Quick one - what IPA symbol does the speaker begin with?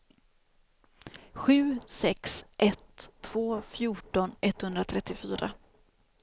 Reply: ɧ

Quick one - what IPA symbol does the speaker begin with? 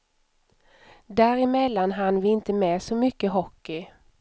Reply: d̪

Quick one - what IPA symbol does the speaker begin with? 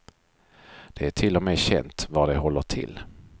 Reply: d̪̥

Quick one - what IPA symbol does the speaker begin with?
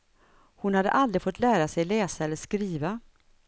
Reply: h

